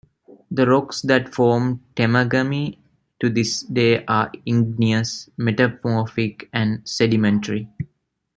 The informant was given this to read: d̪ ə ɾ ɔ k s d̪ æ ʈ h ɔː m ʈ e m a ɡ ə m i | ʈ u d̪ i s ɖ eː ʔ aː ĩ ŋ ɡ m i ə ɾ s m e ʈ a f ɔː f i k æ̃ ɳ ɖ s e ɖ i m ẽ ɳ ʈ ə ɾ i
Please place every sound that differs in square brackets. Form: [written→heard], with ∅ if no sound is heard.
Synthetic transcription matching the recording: d̪ ə ɾ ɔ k s d̪ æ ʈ [h→f] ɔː m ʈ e m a ɡ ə m i | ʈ u d̪ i s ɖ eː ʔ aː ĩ ŋ ɡ [m→n] i ə [ɾ→∅] s m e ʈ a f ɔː f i k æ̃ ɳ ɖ s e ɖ i m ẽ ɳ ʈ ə ɾ i

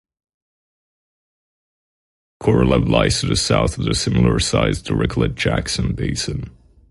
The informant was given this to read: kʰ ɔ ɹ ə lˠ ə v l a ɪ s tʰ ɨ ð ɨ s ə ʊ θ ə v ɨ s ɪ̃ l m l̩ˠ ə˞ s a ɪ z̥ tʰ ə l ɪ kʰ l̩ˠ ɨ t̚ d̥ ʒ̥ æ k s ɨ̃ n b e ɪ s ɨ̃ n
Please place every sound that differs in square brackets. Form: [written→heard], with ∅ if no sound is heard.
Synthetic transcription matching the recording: kʰ ɔ ɹ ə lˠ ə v l a ɪ s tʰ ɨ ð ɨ s [ə→a] ʊ θ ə [v→ð] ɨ s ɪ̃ [l→∅] m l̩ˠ ə˞ s a ɪ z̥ tʰ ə [l→ɹ] ɪ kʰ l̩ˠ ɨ t̚ d̥ ʒ̥ æ k s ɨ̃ n b e ɪ s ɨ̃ n

